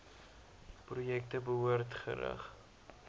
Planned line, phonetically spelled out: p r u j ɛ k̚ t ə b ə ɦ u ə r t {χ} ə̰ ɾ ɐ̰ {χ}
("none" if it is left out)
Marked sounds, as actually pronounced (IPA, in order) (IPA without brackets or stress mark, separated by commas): χ, χ